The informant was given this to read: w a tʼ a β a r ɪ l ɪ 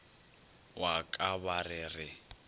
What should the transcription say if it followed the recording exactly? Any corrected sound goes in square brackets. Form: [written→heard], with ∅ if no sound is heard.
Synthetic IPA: w a [tʼ→kʼ] a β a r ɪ [l→r] ɪ